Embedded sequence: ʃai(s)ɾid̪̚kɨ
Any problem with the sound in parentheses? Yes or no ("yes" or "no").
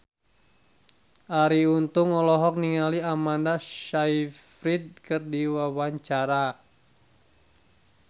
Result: yes